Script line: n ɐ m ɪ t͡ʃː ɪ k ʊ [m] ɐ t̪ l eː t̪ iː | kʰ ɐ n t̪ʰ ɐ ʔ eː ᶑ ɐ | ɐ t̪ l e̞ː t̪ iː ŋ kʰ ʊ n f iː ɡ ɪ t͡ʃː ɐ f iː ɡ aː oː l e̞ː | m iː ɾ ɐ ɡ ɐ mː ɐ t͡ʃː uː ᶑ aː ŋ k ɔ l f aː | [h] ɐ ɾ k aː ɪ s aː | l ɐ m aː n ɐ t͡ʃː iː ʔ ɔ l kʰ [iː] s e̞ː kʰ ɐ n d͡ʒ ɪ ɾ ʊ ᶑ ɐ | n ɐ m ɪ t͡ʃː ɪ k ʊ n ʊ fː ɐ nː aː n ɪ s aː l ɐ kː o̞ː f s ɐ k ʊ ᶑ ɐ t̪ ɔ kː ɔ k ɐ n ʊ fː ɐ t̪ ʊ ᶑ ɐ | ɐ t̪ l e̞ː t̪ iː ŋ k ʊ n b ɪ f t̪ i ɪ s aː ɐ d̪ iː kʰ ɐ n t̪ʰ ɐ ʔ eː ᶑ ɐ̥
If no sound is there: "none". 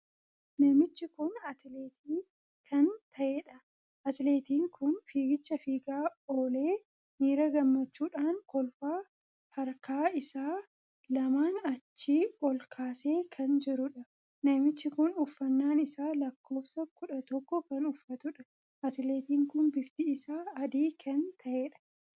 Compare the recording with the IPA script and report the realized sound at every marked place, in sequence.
n, h, aː

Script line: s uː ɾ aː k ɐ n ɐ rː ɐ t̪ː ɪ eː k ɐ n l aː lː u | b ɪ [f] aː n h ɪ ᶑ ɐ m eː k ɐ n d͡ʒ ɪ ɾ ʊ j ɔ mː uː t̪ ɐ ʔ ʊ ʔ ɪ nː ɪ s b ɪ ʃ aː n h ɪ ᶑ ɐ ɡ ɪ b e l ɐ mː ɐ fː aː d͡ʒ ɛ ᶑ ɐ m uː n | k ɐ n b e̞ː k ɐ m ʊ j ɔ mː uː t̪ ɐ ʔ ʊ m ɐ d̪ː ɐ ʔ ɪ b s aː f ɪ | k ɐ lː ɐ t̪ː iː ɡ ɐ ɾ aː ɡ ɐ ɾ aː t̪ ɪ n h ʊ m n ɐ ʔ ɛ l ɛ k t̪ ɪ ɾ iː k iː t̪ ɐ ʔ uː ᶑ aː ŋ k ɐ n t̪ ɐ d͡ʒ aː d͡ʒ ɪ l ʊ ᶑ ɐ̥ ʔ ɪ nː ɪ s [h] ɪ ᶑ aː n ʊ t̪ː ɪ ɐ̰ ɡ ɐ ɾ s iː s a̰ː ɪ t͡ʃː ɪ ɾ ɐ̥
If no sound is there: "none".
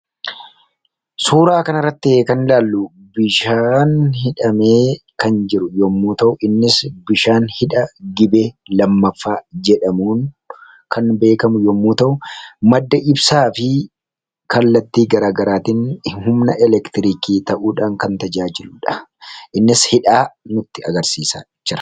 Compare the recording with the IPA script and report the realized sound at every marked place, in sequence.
ʃ, h

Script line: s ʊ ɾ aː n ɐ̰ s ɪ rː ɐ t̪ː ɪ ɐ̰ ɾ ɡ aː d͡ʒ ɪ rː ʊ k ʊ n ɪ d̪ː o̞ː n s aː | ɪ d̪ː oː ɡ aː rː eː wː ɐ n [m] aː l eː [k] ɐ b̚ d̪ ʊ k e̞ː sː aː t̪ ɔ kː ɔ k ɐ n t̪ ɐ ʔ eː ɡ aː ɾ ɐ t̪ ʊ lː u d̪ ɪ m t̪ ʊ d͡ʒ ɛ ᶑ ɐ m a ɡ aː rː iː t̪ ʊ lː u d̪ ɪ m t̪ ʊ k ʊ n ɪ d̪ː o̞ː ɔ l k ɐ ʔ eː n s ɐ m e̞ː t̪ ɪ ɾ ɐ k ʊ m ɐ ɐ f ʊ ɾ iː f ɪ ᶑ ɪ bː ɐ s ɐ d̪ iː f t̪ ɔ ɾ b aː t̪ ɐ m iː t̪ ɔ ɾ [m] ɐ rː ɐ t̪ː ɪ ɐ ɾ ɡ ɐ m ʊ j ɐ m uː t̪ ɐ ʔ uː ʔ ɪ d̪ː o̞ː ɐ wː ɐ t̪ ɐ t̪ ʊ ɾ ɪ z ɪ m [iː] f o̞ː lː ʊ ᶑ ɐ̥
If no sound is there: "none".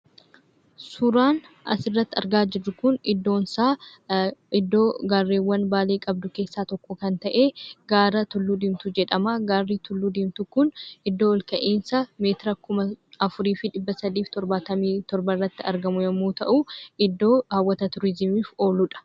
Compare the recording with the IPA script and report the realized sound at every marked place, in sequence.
b, kʼ, b, iː

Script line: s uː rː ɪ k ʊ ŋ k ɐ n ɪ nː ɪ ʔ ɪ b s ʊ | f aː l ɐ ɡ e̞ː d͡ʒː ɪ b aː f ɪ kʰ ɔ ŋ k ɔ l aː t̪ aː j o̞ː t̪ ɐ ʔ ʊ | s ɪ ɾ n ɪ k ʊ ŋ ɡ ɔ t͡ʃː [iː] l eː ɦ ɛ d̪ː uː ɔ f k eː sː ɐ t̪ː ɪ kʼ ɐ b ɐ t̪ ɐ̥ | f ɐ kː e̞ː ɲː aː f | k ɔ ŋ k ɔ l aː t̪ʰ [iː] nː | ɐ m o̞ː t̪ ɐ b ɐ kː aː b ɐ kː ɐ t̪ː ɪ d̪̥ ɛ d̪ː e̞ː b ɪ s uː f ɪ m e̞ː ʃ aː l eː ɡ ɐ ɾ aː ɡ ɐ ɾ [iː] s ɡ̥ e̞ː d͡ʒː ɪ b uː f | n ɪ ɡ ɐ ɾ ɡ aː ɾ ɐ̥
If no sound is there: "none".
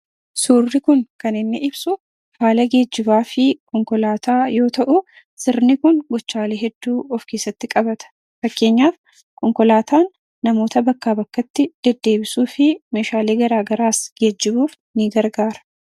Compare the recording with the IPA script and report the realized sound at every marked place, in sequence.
aː, aː, aː

